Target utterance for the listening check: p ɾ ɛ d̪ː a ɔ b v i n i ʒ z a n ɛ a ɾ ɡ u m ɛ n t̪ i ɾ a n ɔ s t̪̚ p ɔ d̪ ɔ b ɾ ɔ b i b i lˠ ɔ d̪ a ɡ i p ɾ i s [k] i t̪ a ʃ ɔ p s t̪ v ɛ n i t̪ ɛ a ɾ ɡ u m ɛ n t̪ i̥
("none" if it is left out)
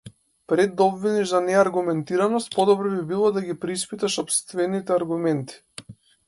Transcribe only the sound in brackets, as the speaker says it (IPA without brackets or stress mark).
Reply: p